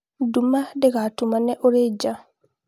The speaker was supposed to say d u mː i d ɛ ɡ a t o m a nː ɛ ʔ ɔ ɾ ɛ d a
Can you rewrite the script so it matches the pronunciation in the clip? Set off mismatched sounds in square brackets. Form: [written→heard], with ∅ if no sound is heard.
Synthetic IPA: d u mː [i→a] d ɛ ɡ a t [o→u] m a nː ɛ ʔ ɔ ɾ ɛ [d→d͡ʒ] a